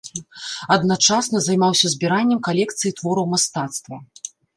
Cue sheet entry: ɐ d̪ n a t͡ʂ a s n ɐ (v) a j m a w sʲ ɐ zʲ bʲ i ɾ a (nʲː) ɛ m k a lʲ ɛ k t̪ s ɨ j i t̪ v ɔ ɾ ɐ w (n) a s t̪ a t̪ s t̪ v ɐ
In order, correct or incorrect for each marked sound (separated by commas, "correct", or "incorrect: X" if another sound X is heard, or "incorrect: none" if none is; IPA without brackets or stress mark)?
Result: incorrect: z, correct, incorrect: m